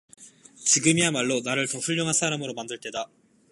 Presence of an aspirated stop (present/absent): absent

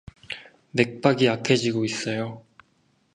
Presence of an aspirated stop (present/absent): present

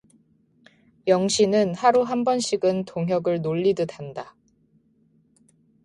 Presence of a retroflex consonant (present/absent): present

